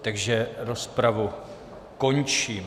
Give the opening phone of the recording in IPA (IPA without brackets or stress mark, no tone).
t̪